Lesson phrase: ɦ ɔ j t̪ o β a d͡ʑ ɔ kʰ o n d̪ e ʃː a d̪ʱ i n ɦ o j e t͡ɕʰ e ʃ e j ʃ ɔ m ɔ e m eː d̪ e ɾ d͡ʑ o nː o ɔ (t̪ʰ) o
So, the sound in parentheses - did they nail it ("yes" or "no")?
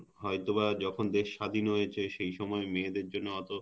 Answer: no